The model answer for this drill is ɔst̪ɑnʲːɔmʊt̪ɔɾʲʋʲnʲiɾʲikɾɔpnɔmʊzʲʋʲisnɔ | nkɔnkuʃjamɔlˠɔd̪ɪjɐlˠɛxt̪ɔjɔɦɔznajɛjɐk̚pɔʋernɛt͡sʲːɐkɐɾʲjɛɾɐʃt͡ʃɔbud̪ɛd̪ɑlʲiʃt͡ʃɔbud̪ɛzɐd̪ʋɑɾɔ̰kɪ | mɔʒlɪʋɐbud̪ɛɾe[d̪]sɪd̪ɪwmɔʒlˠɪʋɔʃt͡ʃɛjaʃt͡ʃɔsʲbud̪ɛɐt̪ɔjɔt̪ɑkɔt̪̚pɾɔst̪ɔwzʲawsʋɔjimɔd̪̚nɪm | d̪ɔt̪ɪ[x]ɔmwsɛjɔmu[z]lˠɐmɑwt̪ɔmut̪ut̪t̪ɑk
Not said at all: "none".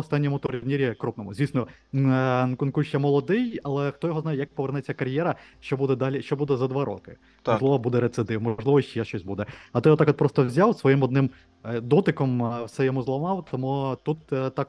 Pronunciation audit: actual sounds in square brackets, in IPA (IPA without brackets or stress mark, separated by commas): t̪, k, z